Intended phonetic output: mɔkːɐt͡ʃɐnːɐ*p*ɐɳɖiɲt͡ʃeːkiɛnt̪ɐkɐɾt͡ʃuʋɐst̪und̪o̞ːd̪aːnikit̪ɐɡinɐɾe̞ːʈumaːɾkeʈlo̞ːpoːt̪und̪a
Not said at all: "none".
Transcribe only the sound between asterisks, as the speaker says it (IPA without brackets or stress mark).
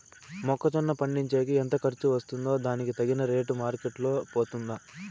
p